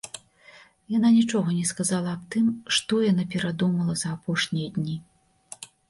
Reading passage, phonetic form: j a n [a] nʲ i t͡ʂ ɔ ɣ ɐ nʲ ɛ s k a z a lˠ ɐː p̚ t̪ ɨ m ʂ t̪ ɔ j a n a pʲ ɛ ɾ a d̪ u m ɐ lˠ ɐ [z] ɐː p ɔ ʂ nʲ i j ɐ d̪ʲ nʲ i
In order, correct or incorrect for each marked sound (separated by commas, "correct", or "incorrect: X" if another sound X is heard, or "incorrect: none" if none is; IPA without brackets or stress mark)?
correct, correct